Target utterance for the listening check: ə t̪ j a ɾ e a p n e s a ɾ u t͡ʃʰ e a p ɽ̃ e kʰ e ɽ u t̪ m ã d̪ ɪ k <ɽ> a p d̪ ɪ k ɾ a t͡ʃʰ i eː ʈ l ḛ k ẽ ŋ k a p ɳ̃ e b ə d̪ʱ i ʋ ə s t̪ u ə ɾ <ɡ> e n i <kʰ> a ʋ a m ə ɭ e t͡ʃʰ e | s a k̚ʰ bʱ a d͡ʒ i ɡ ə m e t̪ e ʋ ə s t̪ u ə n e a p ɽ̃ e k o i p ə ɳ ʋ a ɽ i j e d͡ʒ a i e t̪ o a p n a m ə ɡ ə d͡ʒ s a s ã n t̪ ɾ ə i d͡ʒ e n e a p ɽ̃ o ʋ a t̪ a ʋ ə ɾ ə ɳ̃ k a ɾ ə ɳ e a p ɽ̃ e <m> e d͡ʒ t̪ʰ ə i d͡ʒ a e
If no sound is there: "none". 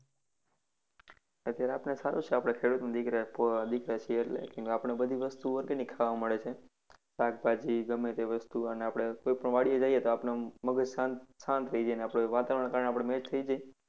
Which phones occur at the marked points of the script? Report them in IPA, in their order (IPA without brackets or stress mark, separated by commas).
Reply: ɾ, ɡ, kʰ, m